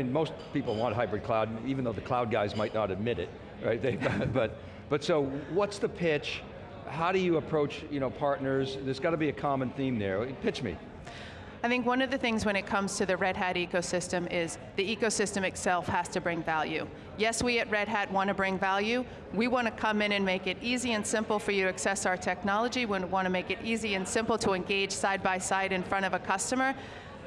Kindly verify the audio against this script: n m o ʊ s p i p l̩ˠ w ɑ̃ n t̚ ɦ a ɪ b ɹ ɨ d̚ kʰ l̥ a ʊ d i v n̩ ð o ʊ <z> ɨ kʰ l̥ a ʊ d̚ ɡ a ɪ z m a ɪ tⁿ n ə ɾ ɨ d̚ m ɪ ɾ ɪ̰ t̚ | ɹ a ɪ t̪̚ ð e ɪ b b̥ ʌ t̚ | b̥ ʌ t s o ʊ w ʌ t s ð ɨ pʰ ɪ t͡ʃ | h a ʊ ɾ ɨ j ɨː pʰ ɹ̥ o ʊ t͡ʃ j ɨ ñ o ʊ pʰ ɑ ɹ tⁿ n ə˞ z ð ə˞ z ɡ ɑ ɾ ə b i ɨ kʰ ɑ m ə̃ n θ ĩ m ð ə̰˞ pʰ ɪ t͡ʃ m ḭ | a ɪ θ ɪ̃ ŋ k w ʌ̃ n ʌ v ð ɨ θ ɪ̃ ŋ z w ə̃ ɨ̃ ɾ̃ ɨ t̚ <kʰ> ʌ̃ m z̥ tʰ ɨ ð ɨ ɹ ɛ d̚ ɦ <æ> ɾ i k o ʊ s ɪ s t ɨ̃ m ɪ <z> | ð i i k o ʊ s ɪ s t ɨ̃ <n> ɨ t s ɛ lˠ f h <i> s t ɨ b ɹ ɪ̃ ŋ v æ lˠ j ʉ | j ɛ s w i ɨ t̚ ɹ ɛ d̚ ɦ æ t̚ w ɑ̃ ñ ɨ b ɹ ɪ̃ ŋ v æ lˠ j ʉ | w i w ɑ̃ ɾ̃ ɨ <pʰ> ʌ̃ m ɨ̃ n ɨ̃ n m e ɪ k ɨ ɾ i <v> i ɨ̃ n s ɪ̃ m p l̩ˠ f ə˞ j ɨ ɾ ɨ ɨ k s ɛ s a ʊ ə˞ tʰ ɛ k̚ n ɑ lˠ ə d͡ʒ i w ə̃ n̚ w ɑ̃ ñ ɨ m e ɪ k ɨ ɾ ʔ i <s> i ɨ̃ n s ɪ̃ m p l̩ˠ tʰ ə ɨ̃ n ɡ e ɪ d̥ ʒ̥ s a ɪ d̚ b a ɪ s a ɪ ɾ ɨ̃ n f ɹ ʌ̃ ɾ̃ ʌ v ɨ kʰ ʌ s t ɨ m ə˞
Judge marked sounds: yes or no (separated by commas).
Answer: no, yes, yes, yes, no, no, no, no, no